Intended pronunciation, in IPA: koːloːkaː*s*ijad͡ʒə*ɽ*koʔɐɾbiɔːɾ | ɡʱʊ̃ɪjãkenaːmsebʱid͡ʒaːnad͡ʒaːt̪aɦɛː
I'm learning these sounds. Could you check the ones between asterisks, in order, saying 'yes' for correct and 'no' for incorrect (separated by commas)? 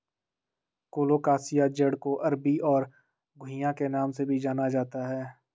yes, yes